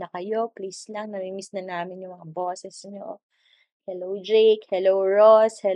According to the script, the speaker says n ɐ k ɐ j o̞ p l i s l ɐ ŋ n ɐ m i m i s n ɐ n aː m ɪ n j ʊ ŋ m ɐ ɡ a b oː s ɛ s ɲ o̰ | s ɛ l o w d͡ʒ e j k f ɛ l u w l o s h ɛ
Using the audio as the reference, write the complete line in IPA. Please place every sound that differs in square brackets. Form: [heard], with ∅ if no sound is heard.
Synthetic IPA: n ɐ k ɐ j o̞ p l i s l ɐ ŋ n ɐ m i m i s n ɐ n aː m ɪ n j ʊ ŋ m ɐ [ŋ] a b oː s ɛ s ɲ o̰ | [h] ɛ l o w d͡ʒ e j k [h] ɛ l [o] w [ɹ] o s h ɛ